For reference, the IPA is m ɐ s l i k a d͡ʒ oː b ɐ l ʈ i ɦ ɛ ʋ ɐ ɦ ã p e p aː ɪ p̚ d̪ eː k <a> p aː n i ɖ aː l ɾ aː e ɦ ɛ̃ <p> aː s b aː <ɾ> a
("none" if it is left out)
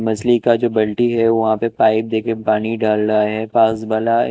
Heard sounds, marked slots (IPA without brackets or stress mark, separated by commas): e, p, l